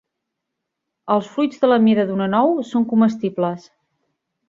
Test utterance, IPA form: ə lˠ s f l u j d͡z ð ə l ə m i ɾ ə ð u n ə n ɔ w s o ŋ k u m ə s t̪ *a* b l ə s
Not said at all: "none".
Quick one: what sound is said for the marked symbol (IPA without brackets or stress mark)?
i